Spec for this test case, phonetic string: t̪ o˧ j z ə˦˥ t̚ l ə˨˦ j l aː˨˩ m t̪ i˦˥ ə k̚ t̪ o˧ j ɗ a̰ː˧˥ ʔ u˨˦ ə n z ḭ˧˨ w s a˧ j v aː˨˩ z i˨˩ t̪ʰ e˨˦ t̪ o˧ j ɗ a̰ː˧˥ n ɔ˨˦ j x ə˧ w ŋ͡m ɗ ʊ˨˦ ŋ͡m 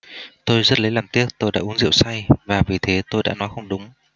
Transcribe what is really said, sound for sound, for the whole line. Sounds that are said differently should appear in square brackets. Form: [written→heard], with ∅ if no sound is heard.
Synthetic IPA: t̪ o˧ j z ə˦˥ t̚ l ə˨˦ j l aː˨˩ m t̪ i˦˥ ə k̚ t̪ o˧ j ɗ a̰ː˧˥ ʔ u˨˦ ə n z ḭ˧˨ w s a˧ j v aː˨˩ [z→v] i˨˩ t̪ʰ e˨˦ t̪ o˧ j ɗ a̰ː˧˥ n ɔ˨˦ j x ə˧ w ŋ͡m ɗ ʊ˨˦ ŋ͡m

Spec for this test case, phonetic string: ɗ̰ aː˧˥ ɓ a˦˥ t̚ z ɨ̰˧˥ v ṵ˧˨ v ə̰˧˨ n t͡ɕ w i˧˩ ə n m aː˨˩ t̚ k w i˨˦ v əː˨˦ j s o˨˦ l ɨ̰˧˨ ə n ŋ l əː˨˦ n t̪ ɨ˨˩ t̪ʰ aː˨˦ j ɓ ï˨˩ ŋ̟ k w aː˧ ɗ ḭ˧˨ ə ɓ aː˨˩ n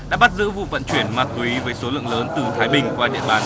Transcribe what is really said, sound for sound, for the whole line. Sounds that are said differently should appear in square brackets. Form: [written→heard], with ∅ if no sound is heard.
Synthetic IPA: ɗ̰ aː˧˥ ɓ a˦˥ t̚ z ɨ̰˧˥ v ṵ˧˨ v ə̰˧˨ n t͡ɕ w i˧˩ ə n m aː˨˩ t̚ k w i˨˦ v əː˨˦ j s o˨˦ l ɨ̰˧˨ ə [n→∅] ŋ l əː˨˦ n t̪ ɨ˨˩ t̪ʰ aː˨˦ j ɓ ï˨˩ ŋ̟ k w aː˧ ɗ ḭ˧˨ ə ɓ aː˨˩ n

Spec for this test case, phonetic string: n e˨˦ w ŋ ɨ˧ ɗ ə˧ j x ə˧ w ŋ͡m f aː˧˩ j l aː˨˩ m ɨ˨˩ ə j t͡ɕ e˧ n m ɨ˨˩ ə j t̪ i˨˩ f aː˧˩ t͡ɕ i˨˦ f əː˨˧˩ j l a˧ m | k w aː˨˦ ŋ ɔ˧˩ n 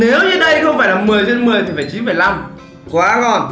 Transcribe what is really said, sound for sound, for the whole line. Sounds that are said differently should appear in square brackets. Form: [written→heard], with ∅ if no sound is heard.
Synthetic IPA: n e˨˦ w [ŋ→ɲ] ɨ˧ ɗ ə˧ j x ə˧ w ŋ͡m f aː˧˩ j l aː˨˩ m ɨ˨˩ ə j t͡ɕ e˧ n m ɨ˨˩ ə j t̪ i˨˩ f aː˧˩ t͡ɕ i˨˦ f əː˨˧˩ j l a˧ m | k w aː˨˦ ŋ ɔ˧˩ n

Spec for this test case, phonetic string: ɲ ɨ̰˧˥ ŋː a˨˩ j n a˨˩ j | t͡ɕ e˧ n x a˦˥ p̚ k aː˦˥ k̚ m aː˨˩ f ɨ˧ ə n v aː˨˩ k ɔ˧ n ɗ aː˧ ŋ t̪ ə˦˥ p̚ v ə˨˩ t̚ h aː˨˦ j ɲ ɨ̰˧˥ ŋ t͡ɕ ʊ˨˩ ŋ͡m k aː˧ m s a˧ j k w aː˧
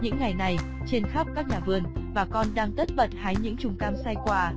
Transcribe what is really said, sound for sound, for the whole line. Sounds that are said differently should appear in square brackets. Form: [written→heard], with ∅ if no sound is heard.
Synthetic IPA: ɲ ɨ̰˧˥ ŋː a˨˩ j n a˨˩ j | t͡ɕ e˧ n x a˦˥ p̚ k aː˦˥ k̚ [m→ɲ] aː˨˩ [f→v] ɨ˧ ə n v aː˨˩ k ɔ˧ n ɗ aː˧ ŋ t̪ ə˦˥ [p̚→t̚] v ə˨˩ t̚ h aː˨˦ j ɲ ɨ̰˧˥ ŋ t͡ɕ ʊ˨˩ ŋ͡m k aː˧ m s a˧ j k w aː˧

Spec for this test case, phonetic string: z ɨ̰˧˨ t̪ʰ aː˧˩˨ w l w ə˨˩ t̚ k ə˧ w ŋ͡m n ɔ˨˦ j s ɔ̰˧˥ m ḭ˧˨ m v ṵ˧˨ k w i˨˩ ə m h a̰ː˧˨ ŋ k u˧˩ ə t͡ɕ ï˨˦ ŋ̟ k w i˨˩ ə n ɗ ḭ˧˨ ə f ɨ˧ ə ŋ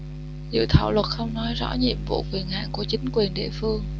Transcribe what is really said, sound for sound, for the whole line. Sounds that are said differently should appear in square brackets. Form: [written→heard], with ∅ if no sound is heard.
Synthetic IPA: z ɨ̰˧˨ t̪ʰ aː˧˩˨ w l w ə˨˩ t̚ [k→x] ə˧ w ŋ͡m n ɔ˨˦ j [s→z] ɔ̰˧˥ [m→ɲ] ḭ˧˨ m v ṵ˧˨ k w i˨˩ ə [m→n] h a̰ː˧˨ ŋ k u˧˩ ə t͡ɕ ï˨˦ ŋ̟ k w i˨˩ ə n ɗ ḭ˧˨ ə f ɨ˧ ə ŋ

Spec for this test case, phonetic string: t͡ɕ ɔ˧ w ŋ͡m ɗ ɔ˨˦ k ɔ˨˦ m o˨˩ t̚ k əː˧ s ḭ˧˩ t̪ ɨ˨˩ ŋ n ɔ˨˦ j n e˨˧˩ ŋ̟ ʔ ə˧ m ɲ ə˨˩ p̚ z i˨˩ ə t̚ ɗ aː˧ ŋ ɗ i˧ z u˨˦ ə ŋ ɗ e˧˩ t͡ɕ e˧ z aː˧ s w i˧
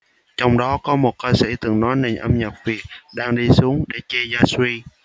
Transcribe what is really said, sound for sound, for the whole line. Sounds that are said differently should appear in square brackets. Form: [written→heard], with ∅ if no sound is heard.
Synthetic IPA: t͡ɕ ɔ˧ w ŋ͡m ɗ ɔ˨˦ k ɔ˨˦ m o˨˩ t̚ k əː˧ s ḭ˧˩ t̪ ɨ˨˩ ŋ n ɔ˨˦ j n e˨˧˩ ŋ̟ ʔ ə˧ m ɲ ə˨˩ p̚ [z→v] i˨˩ ə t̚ ɗ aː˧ ŋ ɗ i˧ [z→s] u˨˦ ə ŋ ɗ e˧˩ t͡ɕ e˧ z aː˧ s w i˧

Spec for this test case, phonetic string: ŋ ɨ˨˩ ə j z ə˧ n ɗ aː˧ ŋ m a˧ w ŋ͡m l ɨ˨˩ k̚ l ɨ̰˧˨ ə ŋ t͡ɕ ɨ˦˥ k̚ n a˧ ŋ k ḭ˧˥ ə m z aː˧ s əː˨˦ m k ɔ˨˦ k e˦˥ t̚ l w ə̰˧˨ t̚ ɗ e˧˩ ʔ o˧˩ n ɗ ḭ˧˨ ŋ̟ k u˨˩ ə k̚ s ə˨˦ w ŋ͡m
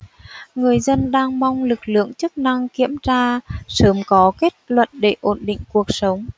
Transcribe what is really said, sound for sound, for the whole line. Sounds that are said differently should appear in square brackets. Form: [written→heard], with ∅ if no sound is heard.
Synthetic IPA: ŋ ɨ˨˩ ə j z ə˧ n ɗ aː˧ ŋ m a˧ w ŋ͡m l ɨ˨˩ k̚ l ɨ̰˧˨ ə ŋ t͡ɕ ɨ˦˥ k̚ n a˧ ŋ k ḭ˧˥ ə m z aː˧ s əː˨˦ m k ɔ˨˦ k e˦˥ t̚ l w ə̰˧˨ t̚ ɗ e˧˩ ʔ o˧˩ n ɗ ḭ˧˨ ŋ̟ k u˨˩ ə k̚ s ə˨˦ w ŋ͡m

